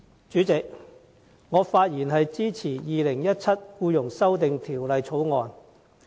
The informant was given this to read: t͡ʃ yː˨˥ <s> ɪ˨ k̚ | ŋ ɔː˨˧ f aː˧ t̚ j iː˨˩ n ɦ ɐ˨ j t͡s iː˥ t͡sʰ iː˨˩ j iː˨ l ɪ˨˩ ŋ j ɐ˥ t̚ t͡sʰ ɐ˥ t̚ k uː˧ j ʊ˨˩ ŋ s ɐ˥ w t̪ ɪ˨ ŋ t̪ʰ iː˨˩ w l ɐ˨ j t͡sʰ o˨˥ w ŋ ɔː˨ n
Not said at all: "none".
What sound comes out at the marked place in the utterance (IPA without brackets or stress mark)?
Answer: t͡s